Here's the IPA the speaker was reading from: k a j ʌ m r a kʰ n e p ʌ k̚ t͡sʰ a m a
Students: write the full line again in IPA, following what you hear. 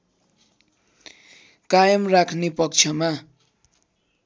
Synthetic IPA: k a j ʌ m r a kʰ n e p ʌ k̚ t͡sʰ ʌ m a